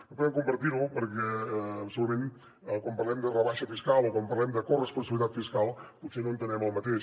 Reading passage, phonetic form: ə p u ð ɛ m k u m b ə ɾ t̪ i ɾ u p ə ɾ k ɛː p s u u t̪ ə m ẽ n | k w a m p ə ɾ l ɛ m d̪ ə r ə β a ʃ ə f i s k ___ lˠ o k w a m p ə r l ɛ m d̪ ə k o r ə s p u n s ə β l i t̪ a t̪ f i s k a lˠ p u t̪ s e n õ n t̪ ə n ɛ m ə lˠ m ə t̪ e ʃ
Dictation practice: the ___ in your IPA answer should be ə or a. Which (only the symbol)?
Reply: a